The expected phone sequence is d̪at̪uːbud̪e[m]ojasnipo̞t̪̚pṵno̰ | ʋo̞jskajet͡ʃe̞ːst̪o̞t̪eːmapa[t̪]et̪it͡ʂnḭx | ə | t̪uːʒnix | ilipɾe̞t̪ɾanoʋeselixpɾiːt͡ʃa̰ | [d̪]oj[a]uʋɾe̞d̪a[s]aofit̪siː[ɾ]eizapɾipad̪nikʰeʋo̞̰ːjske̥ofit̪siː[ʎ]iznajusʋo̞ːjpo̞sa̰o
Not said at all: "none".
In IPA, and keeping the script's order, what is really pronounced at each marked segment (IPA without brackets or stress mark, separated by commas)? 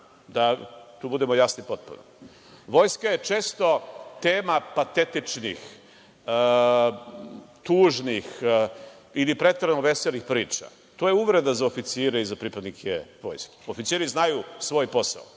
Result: m, t̪, t̪, e, z, ɾ, ɾ